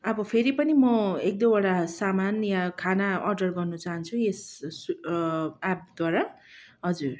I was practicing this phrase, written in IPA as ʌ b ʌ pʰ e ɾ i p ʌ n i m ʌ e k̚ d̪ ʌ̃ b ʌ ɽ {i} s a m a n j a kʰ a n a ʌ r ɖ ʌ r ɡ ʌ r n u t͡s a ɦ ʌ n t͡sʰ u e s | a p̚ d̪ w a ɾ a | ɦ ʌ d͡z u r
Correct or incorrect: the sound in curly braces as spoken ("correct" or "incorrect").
incorrect